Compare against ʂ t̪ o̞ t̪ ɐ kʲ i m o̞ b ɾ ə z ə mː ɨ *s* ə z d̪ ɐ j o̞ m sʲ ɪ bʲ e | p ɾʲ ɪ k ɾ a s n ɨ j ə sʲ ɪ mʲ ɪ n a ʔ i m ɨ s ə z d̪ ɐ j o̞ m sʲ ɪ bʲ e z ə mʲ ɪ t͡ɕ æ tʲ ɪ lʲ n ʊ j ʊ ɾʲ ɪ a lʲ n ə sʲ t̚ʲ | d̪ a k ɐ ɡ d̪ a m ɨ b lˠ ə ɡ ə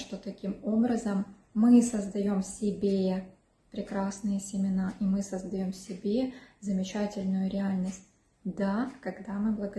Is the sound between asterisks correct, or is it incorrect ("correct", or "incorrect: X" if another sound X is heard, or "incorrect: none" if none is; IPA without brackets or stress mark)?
correct